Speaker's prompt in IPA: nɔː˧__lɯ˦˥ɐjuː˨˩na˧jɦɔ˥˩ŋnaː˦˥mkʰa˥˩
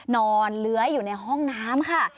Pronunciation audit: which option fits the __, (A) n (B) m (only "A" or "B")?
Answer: A